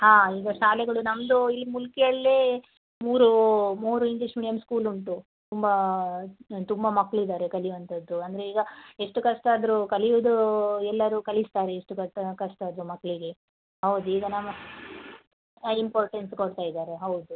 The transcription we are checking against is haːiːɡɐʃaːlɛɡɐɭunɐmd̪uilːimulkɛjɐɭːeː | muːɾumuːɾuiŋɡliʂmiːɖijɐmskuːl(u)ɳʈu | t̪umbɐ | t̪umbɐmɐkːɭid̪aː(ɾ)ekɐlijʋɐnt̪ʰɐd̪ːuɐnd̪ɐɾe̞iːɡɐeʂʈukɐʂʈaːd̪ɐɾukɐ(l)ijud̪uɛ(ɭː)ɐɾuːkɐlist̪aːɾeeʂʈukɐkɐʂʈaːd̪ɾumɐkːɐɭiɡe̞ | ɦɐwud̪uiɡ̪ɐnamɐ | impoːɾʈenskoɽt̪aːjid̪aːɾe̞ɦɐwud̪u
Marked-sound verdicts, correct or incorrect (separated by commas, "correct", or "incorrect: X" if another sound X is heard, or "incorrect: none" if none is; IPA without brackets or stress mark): correct, correct, correct, incorrect: lː